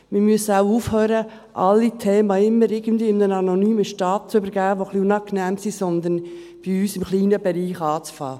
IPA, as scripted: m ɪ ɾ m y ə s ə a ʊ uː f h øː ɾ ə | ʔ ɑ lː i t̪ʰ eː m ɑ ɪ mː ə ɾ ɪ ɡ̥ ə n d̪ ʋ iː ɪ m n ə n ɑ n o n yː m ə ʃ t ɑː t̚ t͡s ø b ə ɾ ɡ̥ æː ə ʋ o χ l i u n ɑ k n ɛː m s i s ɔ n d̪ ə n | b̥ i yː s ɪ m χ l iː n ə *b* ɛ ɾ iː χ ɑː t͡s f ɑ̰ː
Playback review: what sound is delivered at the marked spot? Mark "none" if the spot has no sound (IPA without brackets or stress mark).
b